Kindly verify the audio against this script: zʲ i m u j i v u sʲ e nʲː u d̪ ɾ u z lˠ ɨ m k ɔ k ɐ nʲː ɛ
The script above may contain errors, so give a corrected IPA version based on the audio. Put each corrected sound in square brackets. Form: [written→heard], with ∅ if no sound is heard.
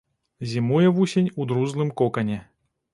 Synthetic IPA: zʲ i m u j [i→ɛ] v u sʲ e [nʲː→nʲ] u d̪ ɾ u z lˠ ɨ m k ɔ k ɐ [nʲː→nʲ] ɛ